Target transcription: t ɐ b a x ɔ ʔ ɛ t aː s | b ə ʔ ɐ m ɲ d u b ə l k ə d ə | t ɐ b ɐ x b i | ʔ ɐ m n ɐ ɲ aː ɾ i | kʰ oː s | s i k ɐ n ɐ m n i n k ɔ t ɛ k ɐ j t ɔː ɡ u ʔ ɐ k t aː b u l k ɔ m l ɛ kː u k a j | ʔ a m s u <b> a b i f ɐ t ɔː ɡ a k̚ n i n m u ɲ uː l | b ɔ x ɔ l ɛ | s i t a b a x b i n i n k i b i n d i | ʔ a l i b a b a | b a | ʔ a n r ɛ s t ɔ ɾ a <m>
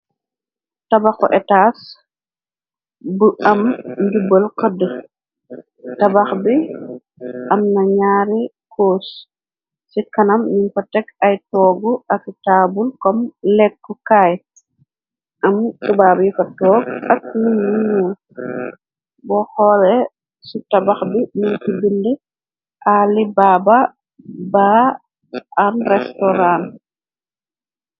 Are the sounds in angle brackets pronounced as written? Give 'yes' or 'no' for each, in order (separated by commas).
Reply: yes, no